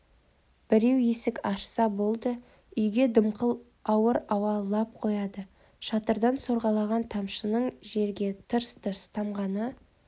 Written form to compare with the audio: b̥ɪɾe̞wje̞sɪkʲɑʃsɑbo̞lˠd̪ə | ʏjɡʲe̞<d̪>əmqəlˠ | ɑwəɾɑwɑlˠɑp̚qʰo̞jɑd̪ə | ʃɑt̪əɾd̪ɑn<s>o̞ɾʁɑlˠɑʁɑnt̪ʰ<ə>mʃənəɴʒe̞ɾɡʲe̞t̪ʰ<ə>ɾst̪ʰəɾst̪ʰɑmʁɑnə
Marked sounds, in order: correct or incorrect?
correct, correct, incorrect: ɑ, correct

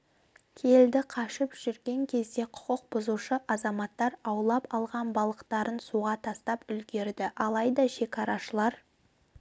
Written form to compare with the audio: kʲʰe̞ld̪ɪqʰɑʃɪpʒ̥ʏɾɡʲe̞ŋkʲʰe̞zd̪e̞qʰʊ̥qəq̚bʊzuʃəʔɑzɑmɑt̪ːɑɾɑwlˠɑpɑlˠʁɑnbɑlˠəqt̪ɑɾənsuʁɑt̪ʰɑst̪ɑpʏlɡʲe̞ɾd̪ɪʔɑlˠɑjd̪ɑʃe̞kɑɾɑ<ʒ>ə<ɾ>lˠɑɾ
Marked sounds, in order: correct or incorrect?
incorrect: ʃ, incorrect: none

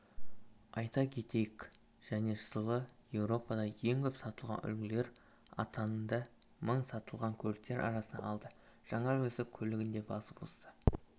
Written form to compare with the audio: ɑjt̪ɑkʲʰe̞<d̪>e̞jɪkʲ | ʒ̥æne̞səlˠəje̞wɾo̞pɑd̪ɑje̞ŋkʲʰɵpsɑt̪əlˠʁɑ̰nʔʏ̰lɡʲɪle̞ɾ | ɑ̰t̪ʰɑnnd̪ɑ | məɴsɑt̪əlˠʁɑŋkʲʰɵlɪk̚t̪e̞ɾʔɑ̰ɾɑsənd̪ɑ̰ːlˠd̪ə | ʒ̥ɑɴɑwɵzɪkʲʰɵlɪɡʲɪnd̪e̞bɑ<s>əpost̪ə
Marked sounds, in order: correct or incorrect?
incorrect: t̪, correct

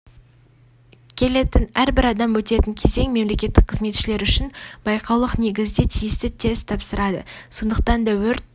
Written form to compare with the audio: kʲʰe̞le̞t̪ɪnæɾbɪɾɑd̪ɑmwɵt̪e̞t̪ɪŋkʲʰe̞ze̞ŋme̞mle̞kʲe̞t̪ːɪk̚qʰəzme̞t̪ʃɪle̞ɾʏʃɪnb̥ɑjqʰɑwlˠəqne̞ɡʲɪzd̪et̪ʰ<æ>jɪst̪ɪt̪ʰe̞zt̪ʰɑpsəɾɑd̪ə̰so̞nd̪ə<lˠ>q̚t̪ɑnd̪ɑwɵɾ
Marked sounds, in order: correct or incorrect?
incorrect: i, incorrect: none

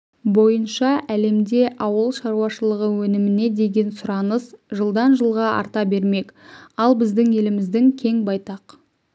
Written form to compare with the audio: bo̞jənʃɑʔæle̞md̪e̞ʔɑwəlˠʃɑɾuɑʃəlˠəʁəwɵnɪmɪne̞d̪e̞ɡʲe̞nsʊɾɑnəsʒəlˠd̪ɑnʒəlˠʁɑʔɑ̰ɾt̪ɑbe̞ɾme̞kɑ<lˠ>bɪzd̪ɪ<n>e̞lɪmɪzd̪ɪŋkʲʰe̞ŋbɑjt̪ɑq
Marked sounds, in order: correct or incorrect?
correct, incorrect: ŋ

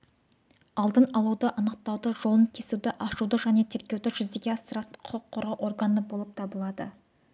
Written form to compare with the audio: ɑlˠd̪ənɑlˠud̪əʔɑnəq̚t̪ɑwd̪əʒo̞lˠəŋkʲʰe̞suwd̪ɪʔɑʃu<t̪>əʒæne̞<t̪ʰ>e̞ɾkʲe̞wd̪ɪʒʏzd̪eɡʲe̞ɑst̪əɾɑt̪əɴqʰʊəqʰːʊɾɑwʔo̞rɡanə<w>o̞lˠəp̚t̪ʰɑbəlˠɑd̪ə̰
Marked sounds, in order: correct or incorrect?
incorrect: d̪, correct, incorrect: b

